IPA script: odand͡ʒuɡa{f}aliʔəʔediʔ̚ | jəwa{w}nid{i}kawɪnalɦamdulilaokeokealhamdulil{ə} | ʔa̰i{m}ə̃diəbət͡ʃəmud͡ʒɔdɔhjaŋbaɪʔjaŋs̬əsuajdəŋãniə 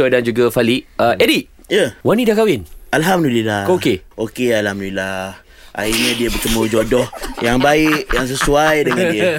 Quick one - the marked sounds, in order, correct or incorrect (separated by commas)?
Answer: correct, incorrect, incorrect, incorrect, incorrect